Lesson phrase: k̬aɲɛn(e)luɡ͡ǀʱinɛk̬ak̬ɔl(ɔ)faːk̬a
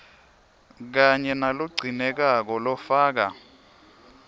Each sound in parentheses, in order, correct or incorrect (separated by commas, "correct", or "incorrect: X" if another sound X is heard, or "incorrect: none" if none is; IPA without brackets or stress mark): incorrect: a, correct